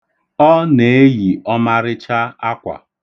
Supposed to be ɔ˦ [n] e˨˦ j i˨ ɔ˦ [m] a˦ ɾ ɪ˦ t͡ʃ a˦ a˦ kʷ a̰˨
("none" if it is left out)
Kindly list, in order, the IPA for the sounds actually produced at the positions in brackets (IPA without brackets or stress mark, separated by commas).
n, m